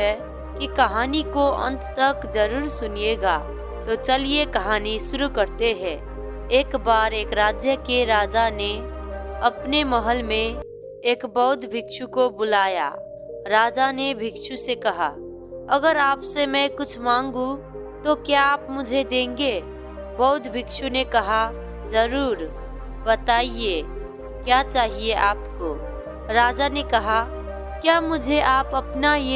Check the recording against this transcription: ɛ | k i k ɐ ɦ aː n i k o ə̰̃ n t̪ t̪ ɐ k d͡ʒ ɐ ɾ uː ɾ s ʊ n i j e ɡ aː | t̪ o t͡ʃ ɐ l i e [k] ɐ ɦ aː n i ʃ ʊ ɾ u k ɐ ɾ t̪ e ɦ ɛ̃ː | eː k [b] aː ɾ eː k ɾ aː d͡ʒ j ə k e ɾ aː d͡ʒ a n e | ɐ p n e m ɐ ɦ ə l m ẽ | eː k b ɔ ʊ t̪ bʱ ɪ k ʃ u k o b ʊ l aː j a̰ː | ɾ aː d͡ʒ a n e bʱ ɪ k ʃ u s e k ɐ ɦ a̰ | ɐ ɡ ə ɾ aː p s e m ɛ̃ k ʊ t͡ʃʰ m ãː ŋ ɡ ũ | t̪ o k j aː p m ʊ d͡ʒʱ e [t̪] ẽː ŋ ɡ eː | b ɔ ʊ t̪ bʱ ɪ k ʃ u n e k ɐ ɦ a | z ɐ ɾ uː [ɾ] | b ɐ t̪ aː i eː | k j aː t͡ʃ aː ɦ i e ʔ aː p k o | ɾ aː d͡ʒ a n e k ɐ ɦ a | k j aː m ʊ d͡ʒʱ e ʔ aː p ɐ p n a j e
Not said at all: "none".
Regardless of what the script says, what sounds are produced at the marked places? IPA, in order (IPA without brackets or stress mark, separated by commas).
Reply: k, b, d̪, ɾ